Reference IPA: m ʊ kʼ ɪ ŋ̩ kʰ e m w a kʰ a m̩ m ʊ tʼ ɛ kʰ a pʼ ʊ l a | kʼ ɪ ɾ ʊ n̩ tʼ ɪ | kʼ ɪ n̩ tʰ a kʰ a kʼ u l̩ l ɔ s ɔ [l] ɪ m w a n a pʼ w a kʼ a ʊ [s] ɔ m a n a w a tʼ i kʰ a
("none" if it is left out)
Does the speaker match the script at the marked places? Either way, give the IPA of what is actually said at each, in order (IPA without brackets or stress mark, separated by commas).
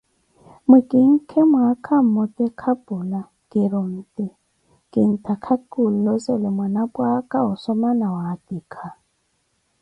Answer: l, s